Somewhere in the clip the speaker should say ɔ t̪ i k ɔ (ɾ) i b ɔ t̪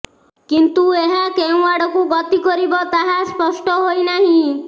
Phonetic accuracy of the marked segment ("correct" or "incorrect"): correct